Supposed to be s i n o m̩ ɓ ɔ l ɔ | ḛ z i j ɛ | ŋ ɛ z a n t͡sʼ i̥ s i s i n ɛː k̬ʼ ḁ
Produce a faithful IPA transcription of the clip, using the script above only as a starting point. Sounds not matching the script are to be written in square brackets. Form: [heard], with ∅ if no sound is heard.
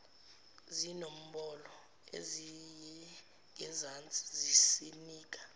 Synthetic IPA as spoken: [z] i n o m̩ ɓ ɔ l ɔ | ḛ z i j ɛ | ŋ ɛ z a n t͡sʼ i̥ [z] i s i n [iː] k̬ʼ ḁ

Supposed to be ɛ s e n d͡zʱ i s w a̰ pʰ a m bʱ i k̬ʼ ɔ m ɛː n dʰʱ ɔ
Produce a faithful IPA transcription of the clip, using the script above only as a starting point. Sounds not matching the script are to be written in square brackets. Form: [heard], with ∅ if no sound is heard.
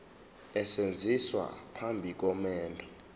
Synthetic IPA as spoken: ɛ s e n d͡zʱ i s w a̰ pʰ a m bʱ i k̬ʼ ɔ m ɛː n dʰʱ ɔ

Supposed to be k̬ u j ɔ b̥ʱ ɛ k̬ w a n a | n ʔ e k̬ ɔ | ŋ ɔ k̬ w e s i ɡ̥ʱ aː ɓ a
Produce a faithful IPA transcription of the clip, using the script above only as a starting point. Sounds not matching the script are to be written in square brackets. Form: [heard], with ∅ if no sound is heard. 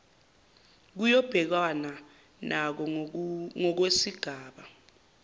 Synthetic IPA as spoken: k̬ u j ɔ b̥ʱ ɛ k̬ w a n a | n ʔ [a] k̬ ɔ | ŋ ɔ k̬ w e s i ɡ̥ʱ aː ɓ a

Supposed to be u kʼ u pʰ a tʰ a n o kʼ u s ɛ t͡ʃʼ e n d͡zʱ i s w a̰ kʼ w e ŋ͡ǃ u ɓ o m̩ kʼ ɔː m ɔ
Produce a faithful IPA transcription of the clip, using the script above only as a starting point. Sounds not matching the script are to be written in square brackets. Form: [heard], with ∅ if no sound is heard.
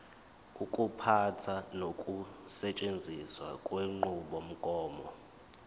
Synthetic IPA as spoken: u kʼ u pʰ a tʰ a n o kʼ u s ɛ t͡ʃʼ e n d͡zʱ i s w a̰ kʼ w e ŋ͡ǃ u ɓ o m̩ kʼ ɔː m ɔ

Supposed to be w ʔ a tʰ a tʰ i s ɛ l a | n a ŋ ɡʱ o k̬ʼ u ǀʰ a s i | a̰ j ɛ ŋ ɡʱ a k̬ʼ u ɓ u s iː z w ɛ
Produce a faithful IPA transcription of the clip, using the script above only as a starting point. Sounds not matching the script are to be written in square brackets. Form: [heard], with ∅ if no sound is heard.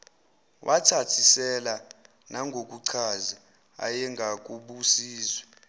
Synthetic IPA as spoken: w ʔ a tʰ a tʰ i s ɛ l a | n a ŋ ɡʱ o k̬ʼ u ǀʰ a [z] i | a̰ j ɛ ŋ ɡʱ a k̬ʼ u ɓ u s iː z w ɛ

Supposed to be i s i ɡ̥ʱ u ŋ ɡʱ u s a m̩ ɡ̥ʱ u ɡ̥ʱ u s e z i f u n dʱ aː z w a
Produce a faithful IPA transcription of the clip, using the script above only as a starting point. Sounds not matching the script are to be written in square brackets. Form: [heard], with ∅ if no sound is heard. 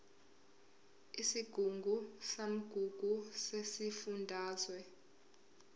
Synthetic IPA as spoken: i s i ɡ̥ʱ u ŋ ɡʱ u s a m̩ ɡ̥ʱ u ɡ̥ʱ u s e [s] i f u n dʱ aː z w [ɛ]

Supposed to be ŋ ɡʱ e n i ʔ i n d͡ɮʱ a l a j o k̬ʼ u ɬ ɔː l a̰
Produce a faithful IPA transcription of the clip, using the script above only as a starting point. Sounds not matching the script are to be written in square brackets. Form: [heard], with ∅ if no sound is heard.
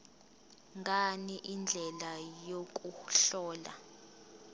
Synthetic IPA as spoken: ŋ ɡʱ [a] n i ʔ i n d͡ɮʱ [ɛ] l a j o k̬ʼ u ɬ ɔː l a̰

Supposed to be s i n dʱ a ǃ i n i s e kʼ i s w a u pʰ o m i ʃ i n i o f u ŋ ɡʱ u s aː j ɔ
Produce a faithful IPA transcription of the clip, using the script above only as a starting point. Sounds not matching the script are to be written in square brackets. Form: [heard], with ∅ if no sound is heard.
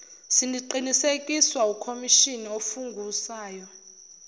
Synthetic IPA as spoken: s i n dʱ [i] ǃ i n i s e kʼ i s w a u [kʰ] o m i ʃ i n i o f u ŋ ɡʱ u s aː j ɔ

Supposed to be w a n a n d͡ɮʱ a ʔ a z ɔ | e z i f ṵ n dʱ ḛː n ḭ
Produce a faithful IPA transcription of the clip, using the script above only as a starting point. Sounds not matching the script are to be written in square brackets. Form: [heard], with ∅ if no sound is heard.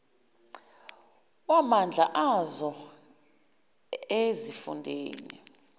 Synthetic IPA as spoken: w a [m] a n d͡ɮʱ a ʔ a z ɔ | e z i f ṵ n dʱ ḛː n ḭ

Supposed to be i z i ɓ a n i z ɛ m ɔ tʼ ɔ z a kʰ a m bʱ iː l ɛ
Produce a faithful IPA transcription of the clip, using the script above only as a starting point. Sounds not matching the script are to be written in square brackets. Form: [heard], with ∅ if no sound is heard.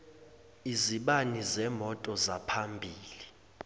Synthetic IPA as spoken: i z i ɓ a n i z ɛ m ɔ tʼ ɔ z a [pʰ] a m bʱ iː l [i]

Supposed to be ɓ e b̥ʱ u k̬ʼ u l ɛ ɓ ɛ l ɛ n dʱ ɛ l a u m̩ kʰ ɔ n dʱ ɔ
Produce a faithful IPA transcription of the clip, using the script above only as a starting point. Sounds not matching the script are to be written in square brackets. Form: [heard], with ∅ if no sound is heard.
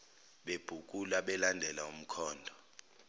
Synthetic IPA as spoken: ɓ e b̥ʱ u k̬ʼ u l [a] ɓ ɛ l [a] n dʱ ɛ l a u m̩ kʰ [ɔː] n dʱ ɔ

